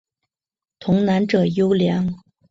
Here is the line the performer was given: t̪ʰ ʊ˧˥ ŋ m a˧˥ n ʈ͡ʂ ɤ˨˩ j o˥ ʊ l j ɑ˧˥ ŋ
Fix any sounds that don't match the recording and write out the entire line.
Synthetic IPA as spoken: t̪ʰ ʊ˧˥ ŋ n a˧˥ n ʈ͡ʂ ɤ˨˩ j o˥ ʊ l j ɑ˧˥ ŋ